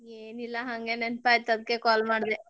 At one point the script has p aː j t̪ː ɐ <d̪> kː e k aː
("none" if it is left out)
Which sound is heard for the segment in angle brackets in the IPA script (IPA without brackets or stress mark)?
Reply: d̪